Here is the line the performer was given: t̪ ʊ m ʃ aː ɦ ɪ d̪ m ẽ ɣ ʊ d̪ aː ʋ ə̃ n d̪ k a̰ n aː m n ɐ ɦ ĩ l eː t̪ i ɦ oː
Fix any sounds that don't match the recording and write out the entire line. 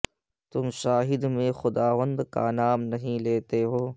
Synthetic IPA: t̪ ʊ m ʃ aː ɦ ɪ d̪ m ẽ x ʊ d̪ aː ʋ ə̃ n d̪ k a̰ n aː m n ɐ ɦ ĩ l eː t̪ e ɦ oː